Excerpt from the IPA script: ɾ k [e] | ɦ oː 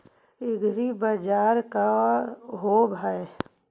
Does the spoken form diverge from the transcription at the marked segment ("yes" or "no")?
yes